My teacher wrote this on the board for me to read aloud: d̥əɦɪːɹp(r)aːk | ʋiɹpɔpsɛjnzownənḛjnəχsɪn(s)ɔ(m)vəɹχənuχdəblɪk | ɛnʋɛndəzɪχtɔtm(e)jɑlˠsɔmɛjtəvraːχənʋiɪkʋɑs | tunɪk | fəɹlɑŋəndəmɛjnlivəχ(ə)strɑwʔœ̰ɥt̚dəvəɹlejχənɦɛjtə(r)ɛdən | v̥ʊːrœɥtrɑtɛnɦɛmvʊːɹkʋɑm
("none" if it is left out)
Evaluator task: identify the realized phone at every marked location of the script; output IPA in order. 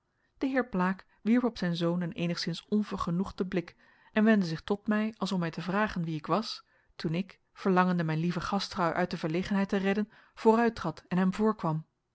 l, s, n, ɛ, ɑ, r

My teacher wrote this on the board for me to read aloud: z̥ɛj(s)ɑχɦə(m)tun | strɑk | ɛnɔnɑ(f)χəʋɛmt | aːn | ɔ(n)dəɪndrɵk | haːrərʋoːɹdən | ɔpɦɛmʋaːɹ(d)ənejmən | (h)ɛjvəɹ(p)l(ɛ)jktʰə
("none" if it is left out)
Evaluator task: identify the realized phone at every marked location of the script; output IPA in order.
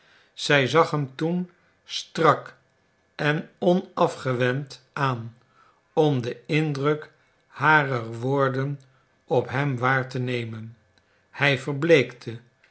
z, m, f, m, t, h, b, e

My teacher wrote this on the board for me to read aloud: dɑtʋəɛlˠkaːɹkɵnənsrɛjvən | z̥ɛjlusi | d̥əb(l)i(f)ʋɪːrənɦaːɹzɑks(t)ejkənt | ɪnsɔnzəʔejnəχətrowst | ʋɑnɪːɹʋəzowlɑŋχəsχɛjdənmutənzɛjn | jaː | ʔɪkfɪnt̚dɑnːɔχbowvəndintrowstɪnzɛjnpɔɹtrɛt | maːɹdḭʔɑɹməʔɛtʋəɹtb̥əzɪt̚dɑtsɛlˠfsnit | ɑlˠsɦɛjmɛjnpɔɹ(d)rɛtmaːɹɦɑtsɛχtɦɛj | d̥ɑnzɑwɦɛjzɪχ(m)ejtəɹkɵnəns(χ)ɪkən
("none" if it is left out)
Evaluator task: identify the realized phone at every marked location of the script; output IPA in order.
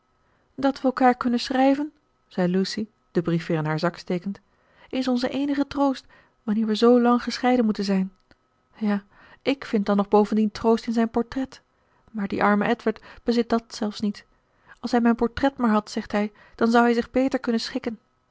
r, f, t, t, b, χ

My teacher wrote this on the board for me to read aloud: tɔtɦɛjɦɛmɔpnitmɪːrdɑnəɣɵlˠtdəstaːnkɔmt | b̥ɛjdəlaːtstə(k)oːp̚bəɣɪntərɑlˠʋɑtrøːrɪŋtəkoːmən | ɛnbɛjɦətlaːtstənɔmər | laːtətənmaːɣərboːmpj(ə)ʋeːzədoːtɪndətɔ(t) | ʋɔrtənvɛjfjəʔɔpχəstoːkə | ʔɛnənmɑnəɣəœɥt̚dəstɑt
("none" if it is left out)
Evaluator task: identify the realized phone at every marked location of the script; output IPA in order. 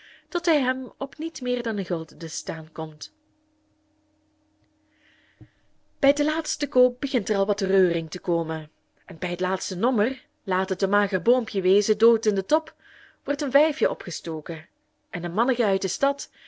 k, ə, p

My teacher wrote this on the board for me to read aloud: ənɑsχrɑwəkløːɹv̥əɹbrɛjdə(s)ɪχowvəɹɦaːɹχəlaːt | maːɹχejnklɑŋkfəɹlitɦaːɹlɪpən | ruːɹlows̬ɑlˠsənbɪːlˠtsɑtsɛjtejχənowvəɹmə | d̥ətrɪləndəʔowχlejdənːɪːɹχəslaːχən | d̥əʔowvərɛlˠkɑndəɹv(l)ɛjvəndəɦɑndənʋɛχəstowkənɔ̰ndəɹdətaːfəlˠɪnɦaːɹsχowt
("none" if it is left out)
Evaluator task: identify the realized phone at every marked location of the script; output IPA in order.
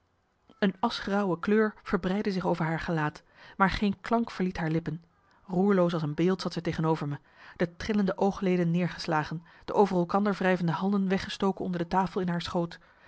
z, r

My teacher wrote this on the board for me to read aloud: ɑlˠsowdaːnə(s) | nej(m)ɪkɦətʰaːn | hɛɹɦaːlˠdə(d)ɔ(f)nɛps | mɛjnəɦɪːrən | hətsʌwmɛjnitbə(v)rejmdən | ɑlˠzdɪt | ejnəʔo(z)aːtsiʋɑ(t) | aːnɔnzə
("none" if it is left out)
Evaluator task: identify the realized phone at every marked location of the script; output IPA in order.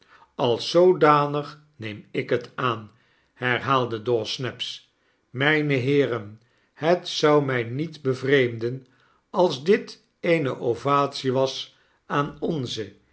χ, m, d, s, v, v, s

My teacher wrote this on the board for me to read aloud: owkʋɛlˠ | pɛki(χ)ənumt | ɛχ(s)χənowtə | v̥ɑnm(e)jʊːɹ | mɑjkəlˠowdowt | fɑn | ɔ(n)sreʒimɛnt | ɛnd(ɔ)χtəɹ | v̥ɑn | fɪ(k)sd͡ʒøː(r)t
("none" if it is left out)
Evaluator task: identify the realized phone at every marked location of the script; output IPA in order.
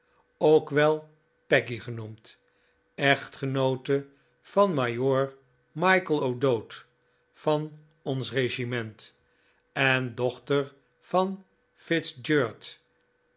χ, t, a, n, ɔ, t, ɹ

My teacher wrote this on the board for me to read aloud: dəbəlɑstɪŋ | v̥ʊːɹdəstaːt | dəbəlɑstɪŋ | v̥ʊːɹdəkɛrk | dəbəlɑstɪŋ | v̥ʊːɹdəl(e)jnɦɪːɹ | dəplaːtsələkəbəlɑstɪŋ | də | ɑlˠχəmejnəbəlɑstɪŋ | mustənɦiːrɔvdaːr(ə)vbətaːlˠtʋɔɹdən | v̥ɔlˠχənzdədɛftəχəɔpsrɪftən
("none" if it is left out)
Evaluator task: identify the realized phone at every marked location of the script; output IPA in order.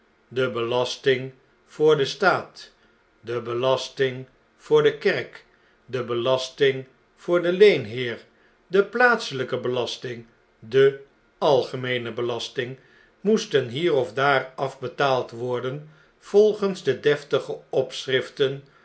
e, ɑ

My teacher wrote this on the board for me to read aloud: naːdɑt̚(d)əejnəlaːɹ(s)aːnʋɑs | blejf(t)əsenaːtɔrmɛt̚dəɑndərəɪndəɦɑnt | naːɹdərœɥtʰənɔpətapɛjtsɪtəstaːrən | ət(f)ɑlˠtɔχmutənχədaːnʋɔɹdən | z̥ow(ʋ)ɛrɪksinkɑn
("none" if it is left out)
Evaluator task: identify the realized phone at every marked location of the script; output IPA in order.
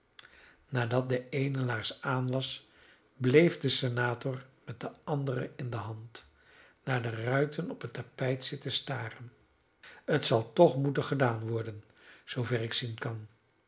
d, s, d, s, v

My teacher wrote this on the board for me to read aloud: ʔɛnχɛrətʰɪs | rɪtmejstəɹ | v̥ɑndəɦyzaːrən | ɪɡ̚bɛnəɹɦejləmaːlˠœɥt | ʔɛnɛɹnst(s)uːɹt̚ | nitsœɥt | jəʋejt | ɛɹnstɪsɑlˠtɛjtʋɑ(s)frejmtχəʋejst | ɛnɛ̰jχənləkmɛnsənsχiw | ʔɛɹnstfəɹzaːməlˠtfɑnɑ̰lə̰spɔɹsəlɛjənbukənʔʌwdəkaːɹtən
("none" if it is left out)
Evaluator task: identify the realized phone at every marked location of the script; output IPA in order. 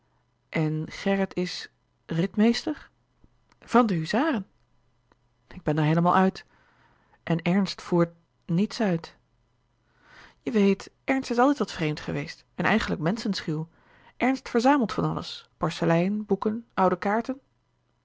f, t

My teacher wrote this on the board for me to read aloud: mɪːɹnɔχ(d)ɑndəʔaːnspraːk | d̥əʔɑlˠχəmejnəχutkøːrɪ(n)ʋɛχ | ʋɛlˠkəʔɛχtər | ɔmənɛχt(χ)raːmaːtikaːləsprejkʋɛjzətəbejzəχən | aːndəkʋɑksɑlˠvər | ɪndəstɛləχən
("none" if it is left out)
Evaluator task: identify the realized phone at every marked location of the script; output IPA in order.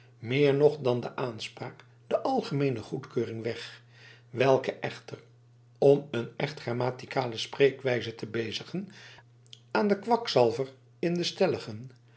d, ŋ, χ

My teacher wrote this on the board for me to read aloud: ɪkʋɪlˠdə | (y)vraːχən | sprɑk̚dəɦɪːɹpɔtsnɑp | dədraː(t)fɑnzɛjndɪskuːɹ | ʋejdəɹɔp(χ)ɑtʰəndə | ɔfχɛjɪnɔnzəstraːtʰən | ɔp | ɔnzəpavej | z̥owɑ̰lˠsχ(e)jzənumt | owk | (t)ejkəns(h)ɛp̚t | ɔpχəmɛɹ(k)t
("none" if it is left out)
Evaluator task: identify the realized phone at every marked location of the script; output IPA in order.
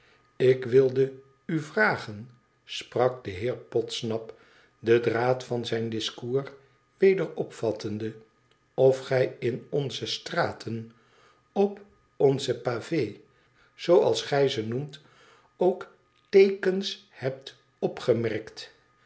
y, t, f, ɛ, t, h, k

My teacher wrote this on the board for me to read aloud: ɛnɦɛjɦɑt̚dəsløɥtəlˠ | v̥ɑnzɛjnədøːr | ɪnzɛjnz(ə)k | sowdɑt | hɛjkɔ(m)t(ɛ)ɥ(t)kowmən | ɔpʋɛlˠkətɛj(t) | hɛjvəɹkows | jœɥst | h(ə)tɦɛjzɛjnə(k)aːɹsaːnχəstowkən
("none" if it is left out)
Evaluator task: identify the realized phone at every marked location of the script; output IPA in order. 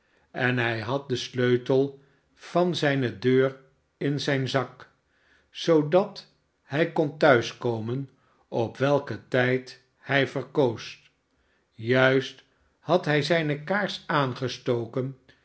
ɑ, n, œ, s, t, ɑ, k

